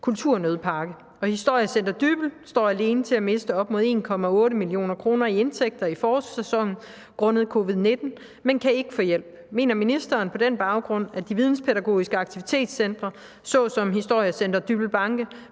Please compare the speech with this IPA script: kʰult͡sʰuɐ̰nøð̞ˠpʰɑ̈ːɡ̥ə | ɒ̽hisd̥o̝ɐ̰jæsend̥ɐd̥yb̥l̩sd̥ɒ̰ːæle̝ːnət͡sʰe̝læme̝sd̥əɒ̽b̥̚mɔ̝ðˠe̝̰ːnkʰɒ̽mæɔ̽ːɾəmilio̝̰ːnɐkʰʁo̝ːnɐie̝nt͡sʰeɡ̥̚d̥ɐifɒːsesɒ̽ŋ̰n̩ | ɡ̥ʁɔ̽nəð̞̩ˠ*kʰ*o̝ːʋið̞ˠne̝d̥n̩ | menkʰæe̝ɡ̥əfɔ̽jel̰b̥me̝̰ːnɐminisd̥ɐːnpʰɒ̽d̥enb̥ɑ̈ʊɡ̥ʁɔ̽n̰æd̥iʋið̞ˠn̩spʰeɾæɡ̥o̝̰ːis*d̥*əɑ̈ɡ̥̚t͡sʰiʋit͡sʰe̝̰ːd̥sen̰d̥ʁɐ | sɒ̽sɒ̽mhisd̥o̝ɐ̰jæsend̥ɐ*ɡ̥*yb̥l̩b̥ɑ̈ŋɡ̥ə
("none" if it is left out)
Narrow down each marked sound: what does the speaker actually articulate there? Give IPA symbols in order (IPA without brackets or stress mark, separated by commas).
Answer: kʰ, ɡ̥, d̥